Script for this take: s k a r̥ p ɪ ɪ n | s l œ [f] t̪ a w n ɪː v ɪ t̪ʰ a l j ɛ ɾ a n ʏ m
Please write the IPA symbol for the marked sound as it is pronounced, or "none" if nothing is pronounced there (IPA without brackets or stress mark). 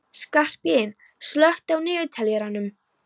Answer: h